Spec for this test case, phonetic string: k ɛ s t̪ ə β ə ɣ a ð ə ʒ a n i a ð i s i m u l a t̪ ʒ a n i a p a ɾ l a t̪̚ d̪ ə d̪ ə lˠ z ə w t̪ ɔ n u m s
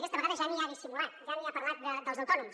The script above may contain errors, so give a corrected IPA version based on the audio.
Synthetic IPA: k ɛ s t̪ ə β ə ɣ a ð ə ʒ a n i a ð i s i m u l a t̪ ʒ a n i a p ə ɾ l a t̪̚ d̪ ə d̪ ə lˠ z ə w t̪ ɔ n u m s